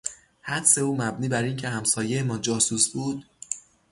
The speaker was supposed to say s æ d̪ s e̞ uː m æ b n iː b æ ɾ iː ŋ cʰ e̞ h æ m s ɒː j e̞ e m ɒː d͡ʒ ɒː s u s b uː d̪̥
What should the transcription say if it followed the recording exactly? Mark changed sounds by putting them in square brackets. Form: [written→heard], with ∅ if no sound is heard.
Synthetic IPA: [s→h] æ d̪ s e̞ uː m æ b n iː b æ ɾ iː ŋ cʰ e̞ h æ m s ɒː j e̞ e m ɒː d͡ʒ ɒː s u s b uː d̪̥